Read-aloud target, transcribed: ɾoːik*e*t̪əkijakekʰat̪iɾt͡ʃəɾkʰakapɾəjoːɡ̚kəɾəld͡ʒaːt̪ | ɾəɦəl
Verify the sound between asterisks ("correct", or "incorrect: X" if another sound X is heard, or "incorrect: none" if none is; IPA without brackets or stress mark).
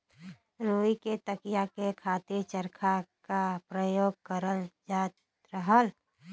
correct